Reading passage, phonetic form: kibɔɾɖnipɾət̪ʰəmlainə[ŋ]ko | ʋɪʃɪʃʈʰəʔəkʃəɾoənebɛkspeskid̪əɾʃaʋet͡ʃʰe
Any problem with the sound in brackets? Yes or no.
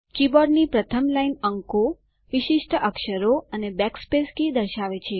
no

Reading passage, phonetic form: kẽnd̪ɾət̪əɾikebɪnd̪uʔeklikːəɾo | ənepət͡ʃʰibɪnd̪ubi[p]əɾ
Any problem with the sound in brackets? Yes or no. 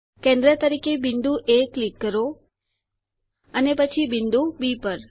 no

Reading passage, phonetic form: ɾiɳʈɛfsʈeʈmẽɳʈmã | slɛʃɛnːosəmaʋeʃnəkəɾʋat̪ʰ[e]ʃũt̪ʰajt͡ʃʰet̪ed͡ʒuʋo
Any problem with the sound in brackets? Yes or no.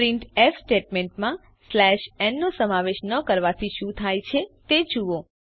yes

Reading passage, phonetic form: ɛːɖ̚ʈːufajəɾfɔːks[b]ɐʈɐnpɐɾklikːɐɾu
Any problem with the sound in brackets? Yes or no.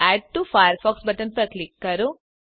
no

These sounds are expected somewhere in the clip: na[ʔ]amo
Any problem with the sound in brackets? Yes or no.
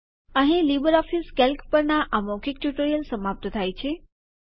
no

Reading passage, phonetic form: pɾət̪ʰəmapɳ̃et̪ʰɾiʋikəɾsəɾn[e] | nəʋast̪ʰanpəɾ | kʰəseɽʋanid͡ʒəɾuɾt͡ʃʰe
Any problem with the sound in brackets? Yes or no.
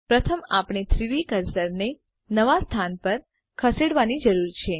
no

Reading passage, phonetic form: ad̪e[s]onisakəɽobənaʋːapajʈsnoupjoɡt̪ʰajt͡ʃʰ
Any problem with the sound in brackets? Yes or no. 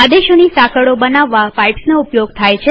yes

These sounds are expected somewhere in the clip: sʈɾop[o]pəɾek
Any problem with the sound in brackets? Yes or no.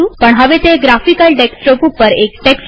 yes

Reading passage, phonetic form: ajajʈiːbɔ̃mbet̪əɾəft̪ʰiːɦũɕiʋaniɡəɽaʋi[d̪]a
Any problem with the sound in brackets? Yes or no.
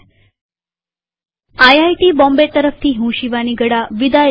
no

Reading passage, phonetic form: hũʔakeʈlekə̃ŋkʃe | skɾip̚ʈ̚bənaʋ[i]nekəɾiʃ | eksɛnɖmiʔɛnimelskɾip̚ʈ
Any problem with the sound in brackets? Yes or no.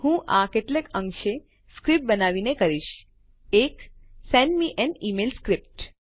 no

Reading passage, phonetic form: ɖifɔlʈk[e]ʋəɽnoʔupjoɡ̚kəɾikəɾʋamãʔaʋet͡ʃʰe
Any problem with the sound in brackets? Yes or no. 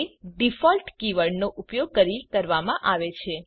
yes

